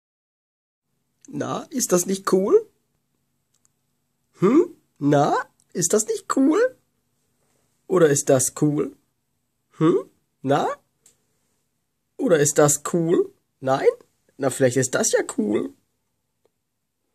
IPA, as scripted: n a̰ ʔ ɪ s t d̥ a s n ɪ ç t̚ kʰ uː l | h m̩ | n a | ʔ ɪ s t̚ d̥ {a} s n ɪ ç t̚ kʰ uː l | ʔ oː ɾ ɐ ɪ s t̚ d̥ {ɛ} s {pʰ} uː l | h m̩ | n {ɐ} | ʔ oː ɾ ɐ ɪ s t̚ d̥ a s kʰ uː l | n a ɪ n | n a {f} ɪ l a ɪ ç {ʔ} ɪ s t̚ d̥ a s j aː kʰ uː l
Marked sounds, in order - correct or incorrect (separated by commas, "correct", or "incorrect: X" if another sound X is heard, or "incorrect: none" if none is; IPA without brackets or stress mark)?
correct, incorrect: a, incorrect: kʰ, incorrect: a, correct, incorrect: t